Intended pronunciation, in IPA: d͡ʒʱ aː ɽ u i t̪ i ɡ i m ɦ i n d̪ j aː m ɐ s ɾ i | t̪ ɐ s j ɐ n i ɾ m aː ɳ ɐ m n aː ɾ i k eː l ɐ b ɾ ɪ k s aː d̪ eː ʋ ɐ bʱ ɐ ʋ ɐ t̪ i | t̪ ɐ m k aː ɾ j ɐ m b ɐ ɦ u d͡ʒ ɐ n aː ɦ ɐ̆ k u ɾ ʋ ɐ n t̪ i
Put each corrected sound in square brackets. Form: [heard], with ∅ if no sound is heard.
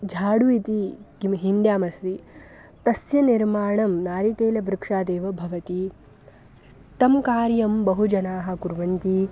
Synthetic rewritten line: d͡ʒʱ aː ɽ u i t̪ i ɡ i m ɦ i n d̪ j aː m ɐ s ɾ i | t̪ ɐ s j ɐ n i ɾ m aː ɳ ɐ m n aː ɾ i k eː l ɐ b ɾ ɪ k [ʂ] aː d̪ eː ʋ ɐ bʱ ɐ ʋ ɐ t̪ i | t̪ ɐ m k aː ɾ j ɐ m b ɐ ɦ u d͡ʒ ɐ n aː ɦ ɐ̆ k u ɾ ʋ ɐ n t̪ i